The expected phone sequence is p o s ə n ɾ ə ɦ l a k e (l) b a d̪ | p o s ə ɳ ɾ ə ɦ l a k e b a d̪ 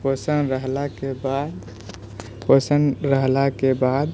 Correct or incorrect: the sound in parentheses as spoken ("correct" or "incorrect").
incorrect